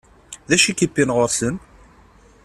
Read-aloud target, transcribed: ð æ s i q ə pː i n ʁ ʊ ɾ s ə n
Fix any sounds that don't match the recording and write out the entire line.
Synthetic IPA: ð æ ʃ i k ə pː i n ʁ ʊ ɾ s ə n